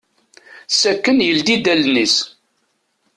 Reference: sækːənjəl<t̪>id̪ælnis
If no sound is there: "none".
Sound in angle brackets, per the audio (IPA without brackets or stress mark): d̪